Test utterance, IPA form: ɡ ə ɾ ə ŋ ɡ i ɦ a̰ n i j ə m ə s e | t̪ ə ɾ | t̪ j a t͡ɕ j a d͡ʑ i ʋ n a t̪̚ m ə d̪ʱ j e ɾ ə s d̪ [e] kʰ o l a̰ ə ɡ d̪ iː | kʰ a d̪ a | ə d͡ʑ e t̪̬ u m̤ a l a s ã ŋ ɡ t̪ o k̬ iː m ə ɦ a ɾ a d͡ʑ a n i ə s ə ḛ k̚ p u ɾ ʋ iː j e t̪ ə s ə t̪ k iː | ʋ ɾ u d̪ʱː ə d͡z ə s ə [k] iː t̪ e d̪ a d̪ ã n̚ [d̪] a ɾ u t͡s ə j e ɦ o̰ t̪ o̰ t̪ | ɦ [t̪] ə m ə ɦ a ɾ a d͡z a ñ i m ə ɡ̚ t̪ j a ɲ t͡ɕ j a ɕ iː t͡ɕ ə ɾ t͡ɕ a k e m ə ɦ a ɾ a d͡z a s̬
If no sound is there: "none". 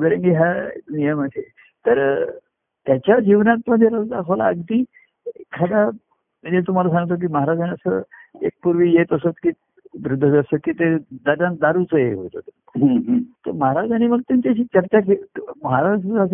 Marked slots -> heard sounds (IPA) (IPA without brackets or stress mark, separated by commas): a, k, d̪, t̪